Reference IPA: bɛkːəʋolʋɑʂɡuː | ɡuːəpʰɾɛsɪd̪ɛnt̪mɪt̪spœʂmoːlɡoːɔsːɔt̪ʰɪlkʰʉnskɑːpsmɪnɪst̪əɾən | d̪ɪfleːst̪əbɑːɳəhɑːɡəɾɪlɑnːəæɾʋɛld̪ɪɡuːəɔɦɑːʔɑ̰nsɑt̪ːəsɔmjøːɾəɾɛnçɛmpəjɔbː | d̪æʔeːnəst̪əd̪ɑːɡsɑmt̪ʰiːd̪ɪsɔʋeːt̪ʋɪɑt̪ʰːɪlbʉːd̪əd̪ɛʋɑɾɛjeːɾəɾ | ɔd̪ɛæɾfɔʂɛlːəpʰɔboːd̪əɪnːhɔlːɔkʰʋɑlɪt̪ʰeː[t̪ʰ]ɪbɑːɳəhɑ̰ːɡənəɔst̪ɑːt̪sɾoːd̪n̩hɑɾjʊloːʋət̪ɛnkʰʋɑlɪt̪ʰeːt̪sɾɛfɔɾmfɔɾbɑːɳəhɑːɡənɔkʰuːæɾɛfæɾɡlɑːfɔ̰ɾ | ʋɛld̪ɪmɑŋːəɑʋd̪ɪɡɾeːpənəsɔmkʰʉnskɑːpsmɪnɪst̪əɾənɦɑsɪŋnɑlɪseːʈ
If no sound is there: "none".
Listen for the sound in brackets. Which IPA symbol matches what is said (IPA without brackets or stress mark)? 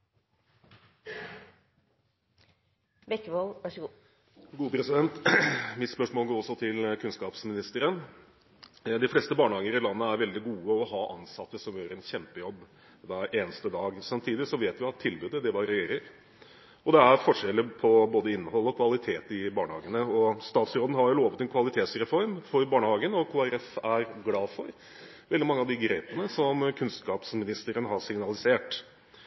t̪